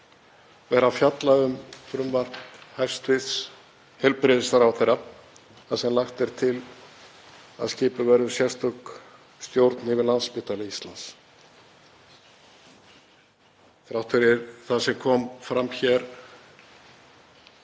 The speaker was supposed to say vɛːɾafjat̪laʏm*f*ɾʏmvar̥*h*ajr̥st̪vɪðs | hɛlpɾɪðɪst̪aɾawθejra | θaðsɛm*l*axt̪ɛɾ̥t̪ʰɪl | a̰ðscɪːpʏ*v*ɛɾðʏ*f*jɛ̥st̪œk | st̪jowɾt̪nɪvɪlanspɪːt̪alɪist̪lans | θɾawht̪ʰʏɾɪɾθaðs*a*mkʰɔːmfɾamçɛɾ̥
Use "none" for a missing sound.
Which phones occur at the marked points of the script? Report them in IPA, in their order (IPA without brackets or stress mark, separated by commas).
f, h, l, v, s, ɛ